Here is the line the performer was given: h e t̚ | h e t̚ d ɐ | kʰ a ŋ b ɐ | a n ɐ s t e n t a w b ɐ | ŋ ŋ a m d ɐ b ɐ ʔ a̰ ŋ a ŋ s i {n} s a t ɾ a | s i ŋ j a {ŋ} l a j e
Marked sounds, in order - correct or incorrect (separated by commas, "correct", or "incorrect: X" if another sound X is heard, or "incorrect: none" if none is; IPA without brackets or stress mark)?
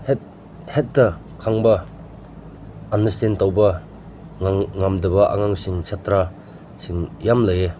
incorrect: ŋ, incorrect: m